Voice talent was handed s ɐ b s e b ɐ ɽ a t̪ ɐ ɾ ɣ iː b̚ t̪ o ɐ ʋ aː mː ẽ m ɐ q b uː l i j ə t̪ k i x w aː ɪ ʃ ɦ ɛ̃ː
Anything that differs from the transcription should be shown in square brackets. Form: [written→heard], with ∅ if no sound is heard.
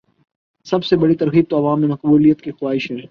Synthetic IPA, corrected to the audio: s ɐ b s e b ɐ ɽ [a→i] t̪ ɐ ɾ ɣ iː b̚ t̪ o ɐ ʋ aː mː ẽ m ɐ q b uː l i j ə t̪ k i x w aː ɪ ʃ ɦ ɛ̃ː